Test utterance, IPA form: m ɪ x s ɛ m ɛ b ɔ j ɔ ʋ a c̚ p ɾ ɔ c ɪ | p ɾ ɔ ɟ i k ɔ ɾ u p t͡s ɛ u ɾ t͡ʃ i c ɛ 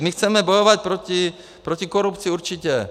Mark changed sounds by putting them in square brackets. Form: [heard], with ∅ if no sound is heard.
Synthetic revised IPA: m [i] x [t͡s] ɛ m ɛ b ɔ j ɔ ʋ a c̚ p ɾ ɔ c [i] | p ɾ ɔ [c] i k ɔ ɾ u p t͡s [i] u ɾ t͡ʃ i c ɛ